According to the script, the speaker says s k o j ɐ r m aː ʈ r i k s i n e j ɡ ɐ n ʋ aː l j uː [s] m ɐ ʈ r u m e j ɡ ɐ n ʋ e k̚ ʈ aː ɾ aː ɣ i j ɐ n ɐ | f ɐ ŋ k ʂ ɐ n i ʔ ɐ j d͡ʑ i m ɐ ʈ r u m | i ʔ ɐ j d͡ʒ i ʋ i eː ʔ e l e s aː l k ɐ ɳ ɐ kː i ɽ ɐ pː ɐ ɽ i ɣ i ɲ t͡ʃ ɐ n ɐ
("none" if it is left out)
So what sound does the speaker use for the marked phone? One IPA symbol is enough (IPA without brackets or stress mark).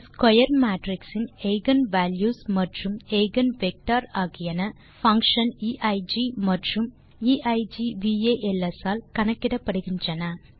s